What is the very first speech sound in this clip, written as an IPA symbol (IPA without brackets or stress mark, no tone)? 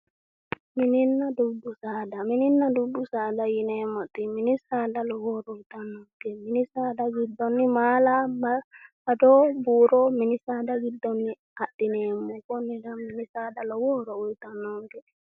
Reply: m